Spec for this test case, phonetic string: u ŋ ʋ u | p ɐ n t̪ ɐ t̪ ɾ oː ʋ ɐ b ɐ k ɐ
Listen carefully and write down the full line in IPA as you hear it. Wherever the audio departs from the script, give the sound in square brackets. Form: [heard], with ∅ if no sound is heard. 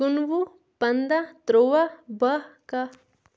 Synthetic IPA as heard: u [n] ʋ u | p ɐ n [d̪] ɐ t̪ ɾ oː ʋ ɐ b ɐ k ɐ